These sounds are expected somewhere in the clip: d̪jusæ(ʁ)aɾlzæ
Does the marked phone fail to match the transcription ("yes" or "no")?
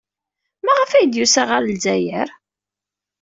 no